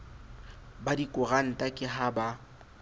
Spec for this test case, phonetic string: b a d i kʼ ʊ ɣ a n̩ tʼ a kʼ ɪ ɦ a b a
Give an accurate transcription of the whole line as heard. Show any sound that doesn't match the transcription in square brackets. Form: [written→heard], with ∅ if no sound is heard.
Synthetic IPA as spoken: b a d i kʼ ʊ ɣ a n̩ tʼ a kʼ ɪ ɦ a b a